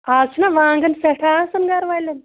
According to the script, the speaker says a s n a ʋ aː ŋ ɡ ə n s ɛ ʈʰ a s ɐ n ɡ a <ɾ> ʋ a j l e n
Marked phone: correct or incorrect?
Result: correct